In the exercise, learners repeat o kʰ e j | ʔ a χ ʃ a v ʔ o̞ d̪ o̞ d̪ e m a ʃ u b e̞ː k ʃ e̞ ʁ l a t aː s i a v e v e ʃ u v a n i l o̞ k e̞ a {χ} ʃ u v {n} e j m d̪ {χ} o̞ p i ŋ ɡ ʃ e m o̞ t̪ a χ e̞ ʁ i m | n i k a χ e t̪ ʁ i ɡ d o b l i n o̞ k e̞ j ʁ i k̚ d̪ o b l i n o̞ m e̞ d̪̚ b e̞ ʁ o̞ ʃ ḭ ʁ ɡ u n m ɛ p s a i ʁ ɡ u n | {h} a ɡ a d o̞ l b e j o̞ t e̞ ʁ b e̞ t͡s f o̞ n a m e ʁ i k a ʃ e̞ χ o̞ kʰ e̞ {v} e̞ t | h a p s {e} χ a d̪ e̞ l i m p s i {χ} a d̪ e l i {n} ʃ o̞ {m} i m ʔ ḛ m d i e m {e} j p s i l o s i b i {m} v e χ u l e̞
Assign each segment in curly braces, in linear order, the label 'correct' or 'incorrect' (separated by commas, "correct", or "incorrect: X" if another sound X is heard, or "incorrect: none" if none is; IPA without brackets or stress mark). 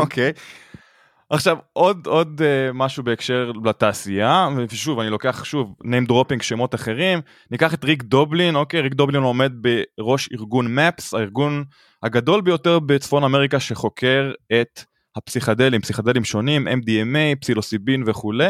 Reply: correct, correct, incorrect: ʁ, correct, incorrect: ʁ, incorrect: i, correct, incorrect: m, incorrect: n, correct, incorrect: n